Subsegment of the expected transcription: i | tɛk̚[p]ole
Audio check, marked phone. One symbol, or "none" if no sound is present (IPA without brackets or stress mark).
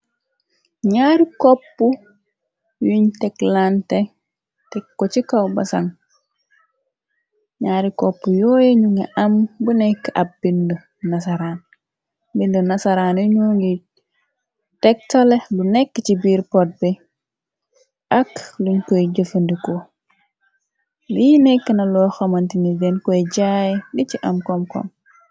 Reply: t